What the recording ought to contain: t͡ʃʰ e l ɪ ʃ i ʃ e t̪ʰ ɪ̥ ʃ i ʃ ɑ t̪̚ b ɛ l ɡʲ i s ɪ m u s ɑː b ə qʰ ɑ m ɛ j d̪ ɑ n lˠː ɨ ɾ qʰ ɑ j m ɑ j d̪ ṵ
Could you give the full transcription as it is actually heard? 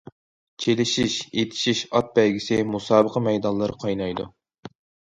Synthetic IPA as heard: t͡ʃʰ e l ɪ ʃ i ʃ e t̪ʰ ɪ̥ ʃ i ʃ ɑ t̪̚ b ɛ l ɡʲ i s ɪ m u s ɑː b ə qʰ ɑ m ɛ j d̪ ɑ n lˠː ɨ ɾ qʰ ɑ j n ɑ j d̪ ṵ